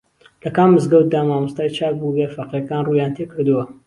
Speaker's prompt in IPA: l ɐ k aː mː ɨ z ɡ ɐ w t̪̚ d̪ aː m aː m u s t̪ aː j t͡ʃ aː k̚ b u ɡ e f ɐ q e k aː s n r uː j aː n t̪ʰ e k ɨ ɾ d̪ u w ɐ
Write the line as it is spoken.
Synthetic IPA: l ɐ k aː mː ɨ z ɡ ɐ w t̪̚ d̪ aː m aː m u s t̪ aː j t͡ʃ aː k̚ b u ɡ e f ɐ q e k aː n r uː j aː n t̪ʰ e k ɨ ɾ d̪ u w ɐ